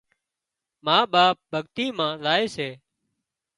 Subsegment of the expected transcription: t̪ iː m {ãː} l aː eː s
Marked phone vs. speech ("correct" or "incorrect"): correct